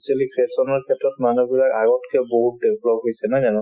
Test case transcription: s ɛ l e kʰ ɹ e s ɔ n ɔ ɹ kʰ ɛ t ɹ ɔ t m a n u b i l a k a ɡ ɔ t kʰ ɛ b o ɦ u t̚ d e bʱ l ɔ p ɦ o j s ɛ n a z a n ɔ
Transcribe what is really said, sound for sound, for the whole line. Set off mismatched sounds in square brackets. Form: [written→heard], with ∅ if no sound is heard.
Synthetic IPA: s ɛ l [e→i] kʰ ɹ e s ɔ n ɔ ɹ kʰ ɛ t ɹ ɔ t m a n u b i l a k a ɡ ɔ t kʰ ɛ b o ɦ u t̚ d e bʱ l ɔ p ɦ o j s ɛ n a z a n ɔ